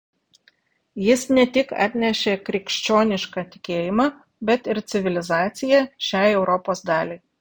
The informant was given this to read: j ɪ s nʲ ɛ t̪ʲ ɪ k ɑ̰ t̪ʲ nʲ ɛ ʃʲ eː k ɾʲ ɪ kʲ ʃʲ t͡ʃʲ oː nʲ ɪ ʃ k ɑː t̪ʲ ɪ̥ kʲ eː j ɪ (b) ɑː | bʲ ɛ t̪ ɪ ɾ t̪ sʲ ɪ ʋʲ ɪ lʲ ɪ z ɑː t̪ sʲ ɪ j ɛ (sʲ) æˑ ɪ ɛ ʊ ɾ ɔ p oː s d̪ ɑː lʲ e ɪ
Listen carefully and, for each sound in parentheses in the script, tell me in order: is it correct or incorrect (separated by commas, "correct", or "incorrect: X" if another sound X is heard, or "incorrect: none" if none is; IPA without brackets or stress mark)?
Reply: incorrect: m, incorrect: ʃʲ